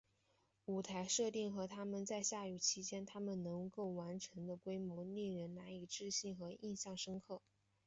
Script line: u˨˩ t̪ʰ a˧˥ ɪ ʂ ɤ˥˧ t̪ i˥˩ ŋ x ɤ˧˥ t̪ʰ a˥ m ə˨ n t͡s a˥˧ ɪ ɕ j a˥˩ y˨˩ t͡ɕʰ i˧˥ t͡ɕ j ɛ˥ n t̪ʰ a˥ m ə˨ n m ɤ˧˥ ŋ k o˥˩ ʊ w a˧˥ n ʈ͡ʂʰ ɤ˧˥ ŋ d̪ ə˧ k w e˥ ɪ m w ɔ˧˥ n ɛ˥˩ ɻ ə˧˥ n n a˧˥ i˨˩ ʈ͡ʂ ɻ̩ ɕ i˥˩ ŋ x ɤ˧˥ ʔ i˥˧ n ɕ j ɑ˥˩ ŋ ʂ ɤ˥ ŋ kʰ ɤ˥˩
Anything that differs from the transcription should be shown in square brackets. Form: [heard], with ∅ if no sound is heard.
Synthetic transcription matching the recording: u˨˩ t̪ʰ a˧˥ ɪ ʂ ɤ˥˧ t̪ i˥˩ ŋ x ɤ˧˥ t̪ʰ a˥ m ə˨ n t͡s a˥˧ ɪ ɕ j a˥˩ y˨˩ t͡ɕʰ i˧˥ t͡ɕ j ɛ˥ n t̪ʰ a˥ m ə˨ n [n] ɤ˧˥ ŋ k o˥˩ ʊ w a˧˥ n ʈ͡ʂʰ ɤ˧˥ ŋ d̪ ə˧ k w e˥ ɪ m w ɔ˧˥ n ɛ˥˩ ɻ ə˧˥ n n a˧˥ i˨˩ ʈ͡ʂ ɻ̩ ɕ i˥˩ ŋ x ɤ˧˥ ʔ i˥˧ n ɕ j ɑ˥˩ ŋ ʂ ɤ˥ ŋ kʰ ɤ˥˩

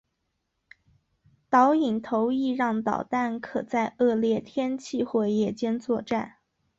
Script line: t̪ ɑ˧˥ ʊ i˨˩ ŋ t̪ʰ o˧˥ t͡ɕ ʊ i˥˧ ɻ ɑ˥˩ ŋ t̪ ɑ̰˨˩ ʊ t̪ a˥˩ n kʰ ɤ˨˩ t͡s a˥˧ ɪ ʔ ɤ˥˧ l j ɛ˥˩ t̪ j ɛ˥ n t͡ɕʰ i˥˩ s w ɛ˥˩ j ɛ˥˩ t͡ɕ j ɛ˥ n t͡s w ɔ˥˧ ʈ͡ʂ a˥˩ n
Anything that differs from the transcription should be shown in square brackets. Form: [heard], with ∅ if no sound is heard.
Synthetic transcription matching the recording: t̪ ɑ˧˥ ʊ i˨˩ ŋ t̪ʰ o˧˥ [∅] ʊ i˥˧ ɻ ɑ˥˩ ŋ t̪ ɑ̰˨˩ ʊ t̪ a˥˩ n kʰ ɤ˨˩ t͡s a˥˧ ɪ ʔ ɤ˥˧ l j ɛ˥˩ [t̪ʰ] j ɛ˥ n t͡ɕʰ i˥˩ [x] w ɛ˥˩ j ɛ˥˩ t͡ɕ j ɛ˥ n t͡s w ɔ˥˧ ʈ͡ʂ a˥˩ n

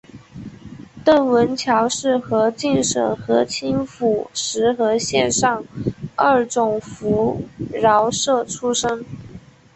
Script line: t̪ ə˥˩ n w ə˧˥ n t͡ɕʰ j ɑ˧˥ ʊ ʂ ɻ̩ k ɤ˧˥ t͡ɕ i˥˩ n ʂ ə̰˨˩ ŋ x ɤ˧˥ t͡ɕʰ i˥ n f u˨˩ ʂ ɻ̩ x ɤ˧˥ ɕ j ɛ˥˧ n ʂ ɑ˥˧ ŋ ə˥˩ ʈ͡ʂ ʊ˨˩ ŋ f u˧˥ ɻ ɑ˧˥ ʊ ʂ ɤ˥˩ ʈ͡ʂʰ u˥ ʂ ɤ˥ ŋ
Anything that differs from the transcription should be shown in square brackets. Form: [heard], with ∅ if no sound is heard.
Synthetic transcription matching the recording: t̪ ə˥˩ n w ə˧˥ n t͡ɕʰ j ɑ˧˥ ʊ ʂ ɻ̩ [x] ɤ˧˥ t͡ɕ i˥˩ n ʂ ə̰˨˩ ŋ x ɤ˧˥ t͡ɕʰ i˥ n f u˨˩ ʂ ɻ̩ x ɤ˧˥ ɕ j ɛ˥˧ n ʂ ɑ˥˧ ŋ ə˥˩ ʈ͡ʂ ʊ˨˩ ŋ f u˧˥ ɻ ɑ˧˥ ʊ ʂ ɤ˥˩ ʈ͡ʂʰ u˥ ʂ ɤ˥ ŋ

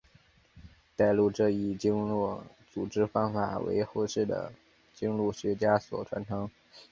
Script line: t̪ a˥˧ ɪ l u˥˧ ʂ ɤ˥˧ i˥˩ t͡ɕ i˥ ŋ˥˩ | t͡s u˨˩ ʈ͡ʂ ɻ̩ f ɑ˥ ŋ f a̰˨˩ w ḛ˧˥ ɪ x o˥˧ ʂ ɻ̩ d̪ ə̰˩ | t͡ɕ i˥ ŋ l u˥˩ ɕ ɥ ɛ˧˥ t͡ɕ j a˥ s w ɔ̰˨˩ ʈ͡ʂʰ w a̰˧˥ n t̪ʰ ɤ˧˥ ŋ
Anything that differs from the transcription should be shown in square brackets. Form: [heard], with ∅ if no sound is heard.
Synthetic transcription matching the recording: t̪ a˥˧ ɪ l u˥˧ [ʈ͡ʂ] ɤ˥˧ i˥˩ t͡ɕ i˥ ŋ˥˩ | t͡s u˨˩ ʈ͡ʂ ɻ̩ f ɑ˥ ŋ f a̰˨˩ w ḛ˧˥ ɪ x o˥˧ ʂ ɻ̩ d̪ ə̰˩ | t͡ɕ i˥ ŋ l u˥˩ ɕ ɥ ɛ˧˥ t͡ɕ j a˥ s w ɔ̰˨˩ ʈ͡ʂʰ w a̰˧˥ n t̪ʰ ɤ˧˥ ŋ

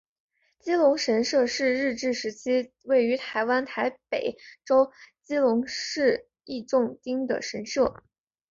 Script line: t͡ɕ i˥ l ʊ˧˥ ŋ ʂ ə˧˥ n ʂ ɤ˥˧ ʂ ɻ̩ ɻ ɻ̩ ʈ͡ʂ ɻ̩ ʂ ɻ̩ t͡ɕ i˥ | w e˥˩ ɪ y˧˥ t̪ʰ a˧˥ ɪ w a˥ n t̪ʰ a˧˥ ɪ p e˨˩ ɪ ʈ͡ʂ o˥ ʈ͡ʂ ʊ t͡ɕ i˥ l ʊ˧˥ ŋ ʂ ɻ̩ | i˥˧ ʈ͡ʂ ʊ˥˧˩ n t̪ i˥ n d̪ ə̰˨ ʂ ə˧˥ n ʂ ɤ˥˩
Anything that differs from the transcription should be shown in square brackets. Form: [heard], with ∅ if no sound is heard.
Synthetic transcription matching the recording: t͡ɕ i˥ l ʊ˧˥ ŋ ʂ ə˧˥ n ʂ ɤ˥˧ ʂ ɻ̩ ɻ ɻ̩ ʈ͡ʂ ɻ̩ ʂ ɻ̩ [t͡ɕʰ] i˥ | w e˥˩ ɪ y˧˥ t̪ʰ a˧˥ ɪ w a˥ n t̪ʰ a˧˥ ɪ p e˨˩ ɪ ʈ͡ʂ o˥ [∅] ʊ t͡ɕ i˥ l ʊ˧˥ ŋ ʂ ɻ̩ | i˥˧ ʈ͡ʂ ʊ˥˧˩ [ŋ] t̪ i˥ [ŋ] d̪ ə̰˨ ʂ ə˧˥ n ʂ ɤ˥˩

